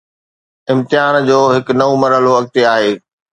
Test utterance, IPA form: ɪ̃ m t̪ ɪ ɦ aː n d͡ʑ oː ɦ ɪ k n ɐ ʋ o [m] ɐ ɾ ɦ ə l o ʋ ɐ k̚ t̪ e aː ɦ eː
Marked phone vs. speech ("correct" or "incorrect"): correct